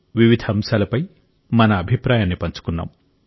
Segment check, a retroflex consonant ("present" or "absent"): absent